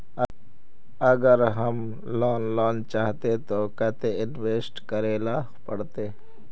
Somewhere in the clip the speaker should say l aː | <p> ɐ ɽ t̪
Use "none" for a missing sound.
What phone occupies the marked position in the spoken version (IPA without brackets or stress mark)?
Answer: p